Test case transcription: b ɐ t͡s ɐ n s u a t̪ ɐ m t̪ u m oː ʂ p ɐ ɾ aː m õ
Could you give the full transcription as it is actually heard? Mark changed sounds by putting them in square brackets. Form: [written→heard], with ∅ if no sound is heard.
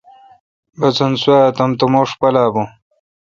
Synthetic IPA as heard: b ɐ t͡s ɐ n s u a t̪ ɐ m t̪ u m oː ʂ p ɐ [ɾ→l] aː [m→b] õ